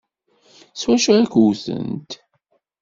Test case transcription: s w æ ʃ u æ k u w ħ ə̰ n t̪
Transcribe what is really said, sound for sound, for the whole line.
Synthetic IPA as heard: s w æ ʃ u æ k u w θ ə̰ n t̪